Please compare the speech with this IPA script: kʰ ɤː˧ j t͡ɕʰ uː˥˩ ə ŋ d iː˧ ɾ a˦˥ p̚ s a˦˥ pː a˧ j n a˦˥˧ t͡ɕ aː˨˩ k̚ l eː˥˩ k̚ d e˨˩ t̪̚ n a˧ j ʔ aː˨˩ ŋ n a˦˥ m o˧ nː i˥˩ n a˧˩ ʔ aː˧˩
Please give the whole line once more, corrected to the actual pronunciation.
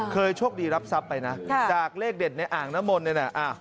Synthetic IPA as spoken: kʰ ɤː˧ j t͡ɕʰ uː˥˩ ə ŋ d iː˧ ɾ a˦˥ p̚ s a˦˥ pː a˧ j n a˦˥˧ t͡ɕ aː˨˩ k̚ l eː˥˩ k̚ d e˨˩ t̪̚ n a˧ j ʔ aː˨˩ ŋ n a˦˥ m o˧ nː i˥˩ n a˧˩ ʔ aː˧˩